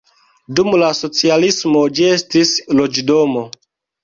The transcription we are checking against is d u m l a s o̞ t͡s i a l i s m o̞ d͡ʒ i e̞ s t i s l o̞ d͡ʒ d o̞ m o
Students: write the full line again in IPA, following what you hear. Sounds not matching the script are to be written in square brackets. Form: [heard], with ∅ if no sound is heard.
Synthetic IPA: d u m l a s o̞ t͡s i a l i s m o̞ d͡ʒ i e̞ s t i s l o̞ d͡ʒ d o̞ m o